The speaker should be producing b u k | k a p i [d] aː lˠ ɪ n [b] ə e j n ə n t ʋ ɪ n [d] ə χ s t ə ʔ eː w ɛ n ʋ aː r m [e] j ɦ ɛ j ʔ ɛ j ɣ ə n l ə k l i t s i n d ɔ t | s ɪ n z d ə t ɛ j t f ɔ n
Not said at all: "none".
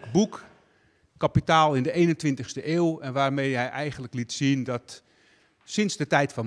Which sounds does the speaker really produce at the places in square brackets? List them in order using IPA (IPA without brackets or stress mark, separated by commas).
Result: t, d, t, e